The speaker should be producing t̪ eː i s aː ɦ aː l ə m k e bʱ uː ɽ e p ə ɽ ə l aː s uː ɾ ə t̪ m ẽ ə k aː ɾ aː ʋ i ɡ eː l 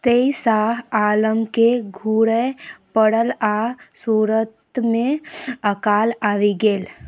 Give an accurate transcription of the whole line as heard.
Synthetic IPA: t̪ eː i s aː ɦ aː l ə m k e ɡʱ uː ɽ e p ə ɽ ə l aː s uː ɾ ə t̪ m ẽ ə k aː l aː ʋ i ɡ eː l